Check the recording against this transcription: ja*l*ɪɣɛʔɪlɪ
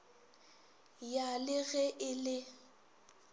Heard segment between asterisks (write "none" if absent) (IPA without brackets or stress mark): l